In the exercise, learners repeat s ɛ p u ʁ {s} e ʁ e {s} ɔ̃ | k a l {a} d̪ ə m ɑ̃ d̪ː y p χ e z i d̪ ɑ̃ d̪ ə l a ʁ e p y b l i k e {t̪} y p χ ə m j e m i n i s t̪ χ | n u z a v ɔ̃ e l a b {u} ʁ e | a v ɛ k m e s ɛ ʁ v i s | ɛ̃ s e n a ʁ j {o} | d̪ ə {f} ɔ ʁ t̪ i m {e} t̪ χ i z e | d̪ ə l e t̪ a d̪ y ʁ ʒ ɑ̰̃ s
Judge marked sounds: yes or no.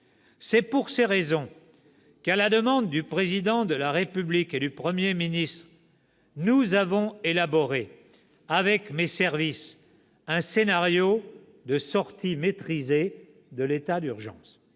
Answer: yes, no, yes, no, no, yes, no, yes

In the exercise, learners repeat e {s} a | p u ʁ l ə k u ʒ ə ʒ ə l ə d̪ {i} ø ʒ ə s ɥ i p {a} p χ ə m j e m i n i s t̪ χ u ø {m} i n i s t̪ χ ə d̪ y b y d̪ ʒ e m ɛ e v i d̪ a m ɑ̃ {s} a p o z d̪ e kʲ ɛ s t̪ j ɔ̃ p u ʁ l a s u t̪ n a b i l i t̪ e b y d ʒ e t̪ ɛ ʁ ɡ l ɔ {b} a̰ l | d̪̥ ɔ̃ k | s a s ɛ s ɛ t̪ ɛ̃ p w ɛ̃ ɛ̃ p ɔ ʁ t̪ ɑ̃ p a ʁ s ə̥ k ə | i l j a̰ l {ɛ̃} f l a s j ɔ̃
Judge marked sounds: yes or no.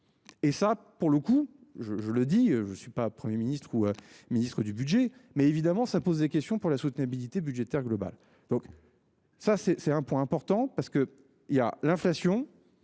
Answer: yes, yes, yes, yes, yes, yes, yes

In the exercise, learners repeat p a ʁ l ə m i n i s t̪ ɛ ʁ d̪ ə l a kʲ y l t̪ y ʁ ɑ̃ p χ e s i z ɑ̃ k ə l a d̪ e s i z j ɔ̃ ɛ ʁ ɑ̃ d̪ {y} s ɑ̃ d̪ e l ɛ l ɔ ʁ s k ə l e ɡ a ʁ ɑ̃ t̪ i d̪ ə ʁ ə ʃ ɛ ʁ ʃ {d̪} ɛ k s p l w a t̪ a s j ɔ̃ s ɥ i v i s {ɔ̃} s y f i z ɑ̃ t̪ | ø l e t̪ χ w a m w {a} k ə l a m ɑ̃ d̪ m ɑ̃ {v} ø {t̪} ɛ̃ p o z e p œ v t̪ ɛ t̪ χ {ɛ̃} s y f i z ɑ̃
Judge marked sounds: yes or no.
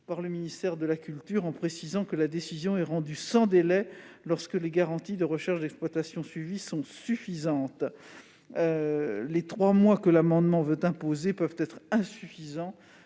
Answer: yes, yes, yes, yes, yes, yes, yes

